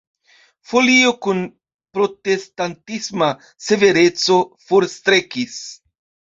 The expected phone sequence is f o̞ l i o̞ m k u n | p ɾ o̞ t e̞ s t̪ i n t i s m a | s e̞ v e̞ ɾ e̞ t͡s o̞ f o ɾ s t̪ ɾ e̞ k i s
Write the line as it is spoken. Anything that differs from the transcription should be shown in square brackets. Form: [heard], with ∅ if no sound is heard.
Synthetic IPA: f o̞ l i o̞ [∅] k u n | p ɾ o̞ t e̞ s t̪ [a] n t i s m a | s e̞ v e̞ ɾ e̞ t͡s o̞ f o ɾ s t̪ ɾ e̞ k i s